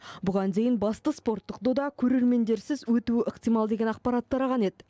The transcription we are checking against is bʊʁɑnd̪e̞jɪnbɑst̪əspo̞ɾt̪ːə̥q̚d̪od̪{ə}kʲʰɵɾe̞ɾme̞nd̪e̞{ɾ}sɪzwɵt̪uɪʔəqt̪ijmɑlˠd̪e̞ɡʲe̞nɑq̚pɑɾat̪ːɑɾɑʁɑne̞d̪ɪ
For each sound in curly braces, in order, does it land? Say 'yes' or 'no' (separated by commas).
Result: no, yes